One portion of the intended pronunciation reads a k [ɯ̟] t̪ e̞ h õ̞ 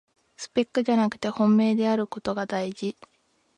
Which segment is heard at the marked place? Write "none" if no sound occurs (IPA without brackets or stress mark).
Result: ɯ̟